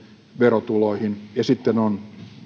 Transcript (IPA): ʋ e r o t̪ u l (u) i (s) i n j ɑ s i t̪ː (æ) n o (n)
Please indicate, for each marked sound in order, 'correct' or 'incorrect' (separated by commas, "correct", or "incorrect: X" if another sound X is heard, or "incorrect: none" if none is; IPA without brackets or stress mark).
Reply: incorrect: o, incorrect: h, incorrect: e, correct